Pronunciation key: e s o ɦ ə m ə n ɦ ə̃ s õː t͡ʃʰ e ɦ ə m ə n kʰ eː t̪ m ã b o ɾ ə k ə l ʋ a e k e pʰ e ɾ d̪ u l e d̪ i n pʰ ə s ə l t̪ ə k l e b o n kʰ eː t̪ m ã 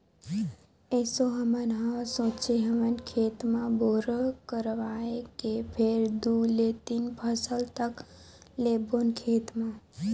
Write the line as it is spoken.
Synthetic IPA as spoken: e s o ɦ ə m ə n ɦ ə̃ s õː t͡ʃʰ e ɦ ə m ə n kʰ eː t̪ m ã b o ɾ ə k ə ɾ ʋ a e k e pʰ e ɾ d̪ u l e t̪ i n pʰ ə s ə l t̪ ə k l e b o n kʰ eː t̪ m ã